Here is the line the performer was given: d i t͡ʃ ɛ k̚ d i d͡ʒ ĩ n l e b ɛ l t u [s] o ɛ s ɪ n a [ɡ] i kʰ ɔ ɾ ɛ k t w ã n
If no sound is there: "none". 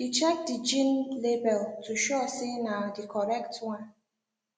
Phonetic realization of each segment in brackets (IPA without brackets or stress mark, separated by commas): ʃ, d